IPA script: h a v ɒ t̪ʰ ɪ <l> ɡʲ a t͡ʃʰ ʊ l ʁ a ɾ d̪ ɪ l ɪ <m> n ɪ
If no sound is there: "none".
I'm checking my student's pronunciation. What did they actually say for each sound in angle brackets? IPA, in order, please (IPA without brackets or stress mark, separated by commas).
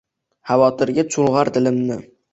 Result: ɾ, m